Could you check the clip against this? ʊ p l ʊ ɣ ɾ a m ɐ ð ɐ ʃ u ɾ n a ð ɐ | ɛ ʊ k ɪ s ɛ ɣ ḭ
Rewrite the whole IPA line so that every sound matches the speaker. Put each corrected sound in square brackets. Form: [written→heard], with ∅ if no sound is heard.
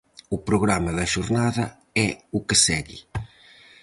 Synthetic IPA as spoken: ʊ p [l→ɾ] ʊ ɣ ɾ a m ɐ ð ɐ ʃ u ɾ n a ð ɐ | ɛ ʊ k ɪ s ɛ ɣ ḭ